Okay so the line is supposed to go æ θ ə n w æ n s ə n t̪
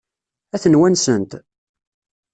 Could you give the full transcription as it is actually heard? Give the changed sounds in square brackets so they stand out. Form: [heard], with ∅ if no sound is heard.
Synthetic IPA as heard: æ θ ə n w æ n s ə n t̪